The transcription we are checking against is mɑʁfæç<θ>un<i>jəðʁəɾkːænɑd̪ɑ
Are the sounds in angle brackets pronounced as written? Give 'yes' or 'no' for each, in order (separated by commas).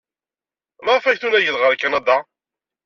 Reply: yes, no